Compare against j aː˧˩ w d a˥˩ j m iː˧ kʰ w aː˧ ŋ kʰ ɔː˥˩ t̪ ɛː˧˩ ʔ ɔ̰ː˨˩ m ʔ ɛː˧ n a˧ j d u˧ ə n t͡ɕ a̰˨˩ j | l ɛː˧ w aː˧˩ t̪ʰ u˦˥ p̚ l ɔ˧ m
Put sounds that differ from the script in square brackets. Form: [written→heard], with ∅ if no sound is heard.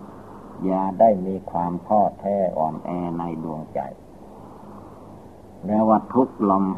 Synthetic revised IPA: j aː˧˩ [w→∅] d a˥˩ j m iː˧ kʰ w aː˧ [ŋ→m] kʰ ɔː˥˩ [t̪→t̪ʰ] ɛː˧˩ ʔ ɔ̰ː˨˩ m ʔ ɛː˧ n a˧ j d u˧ ə [n→ŋ] t͡ɕ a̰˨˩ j | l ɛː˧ w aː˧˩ t̪ʰ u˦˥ [p̚→k̚] l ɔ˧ m